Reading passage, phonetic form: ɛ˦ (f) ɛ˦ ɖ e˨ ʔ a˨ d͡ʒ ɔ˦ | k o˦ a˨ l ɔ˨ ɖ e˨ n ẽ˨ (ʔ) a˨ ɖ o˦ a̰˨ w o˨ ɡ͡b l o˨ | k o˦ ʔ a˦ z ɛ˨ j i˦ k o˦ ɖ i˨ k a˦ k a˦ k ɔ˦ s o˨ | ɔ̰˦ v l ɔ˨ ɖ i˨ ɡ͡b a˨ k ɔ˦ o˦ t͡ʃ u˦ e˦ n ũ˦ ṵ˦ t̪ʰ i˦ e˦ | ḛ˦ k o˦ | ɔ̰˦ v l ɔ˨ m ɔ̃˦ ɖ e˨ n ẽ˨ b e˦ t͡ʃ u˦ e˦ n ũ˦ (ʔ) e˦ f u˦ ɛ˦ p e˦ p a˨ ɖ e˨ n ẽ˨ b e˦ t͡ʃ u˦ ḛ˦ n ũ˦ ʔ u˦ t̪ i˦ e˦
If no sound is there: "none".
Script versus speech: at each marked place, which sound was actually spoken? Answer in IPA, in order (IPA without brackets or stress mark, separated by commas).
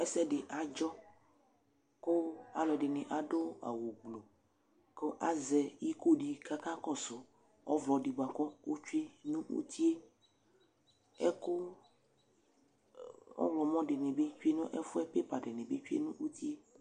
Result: s, ʔ, ʔ